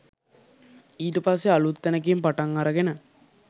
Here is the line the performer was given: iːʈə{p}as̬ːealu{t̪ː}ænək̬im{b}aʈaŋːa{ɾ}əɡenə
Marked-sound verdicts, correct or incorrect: correct, correct, incorrect: p, correct

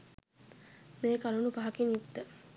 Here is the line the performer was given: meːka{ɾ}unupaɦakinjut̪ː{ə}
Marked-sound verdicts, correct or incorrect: incorrect: l, correct

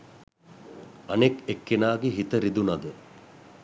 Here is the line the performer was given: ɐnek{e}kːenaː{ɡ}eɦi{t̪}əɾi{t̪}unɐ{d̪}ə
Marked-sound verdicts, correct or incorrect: correct, correct, correct, incorrect: d̪, correct

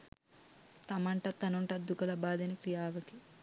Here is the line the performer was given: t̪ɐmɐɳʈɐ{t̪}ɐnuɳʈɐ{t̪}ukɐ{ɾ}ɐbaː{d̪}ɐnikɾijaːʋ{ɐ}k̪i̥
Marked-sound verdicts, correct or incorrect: correct, incorrect: d̪, incorrect: l, correct, correct

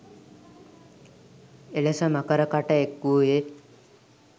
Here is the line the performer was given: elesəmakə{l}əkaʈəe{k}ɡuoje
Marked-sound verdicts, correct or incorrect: incorrect: ɾ, correct

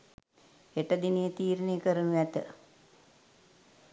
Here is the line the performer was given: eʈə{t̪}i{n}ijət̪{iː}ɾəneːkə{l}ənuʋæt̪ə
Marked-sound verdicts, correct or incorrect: incorrect: d̪, correct, correct, incorrect: ɾ

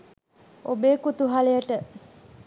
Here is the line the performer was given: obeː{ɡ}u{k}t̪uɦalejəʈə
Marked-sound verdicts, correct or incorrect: incorrect: k, incorrect: none

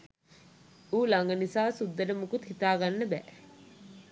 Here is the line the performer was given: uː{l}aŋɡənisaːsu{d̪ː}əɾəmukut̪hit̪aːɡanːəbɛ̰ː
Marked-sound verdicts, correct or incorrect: correct, correct

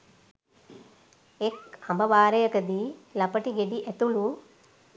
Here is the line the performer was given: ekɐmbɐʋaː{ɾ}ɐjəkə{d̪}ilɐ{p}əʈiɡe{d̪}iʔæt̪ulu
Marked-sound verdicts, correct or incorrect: correct, correct, correct, correct

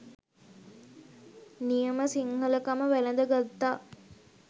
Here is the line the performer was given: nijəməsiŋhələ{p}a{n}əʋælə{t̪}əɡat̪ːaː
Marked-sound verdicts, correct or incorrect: incorrect: k, incorrect: m, incorrect: d̪

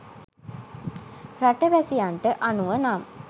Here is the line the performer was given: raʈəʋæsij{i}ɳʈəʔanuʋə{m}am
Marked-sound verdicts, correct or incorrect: incorrect: a, incorrect: n

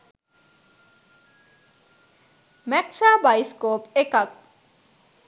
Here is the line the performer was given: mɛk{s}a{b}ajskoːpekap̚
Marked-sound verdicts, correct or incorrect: correct, correct

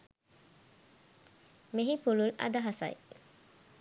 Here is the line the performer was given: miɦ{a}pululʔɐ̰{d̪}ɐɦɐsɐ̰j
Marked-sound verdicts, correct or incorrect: incorrect: i, correct

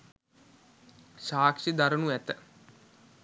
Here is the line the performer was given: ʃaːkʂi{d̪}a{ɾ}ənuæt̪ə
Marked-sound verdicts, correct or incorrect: correct, correct

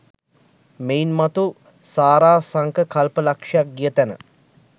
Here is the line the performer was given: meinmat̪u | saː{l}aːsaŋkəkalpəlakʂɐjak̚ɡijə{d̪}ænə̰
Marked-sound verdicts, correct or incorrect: incorrect: ɾ, incorrect: t̪

